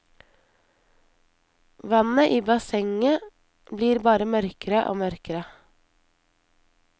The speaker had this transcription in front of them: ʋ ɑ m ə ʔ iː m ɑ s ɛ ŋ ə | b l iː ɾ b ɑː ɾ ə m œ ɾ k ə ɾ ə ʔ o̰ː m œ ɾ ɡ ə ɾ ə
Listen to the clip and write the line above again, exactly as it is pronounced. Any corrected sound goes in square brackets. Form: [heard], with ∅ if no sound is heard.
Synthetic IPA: ʋ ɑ [n] ə ʔ iː [b] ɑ s ɛ ŋ ə | b l iː ɾ b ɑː ɾ ə m œ ɾ k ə ɾ ə ʔ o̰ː m œ ɾ [k] ə ɾ ə